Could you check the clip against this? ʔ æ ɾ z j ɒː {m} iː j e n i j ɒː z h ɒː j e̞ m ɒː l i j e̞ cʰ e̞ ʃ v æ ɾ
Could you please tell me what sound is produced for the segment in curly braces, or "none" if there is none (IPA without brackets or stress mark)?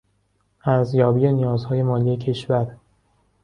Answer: b